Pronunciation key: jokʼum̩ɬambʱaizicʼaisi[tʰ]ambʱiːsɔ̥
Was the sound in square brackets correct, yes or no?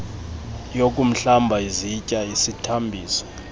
yes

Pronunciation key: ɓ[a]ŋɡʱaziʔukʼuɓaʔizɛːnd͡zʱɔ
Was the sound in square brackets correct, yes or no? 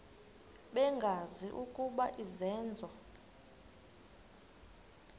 no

